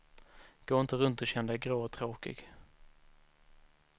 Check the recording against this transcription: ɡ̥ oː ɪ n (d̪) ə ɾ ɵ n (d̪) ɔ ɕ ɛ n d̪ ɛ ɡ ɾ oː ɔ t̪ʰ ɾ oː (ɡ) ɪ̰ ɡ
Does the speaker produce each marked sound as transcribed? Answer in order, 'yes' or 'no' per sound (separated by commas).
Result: no, no, no